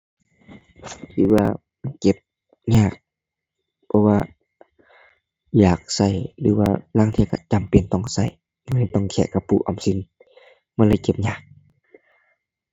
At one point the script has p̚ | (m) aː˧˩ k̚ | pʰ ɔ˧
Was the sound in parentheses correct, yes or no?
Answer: no